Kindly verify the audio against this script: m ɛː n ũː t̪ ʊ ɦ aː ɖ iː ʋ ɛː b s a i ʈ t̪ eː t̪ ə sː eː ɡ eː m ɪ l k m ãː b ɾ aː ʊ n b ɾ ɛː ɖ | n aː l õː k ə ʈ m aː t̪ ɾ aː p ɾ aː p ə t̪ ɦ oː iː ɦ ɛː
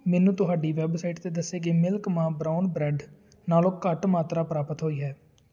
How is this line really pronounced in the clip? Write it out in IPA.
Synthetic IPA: m ɛː n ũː t̪ ʊ ɦ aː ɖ iː ʋ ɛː b s a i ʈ t̪ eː d̪ ə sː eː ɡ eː m ɪ l k m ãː b ɾ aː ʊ n b ɾ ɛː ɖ | n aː l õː k ə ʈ m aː t̪ ɾ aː p ɾ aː p ə t̪ ɦ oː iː ɦ ɛː